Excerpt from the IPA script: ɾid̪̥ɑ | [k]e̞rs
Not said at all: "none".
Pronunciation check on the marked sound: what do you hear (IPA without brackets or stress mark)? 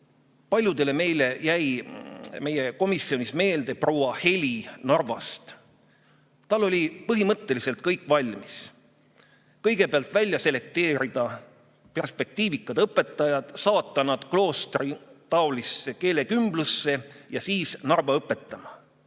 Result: p